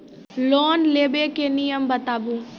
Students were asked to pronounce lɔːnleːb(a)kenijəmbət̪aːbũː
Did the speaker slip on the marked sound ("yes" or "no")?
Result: yes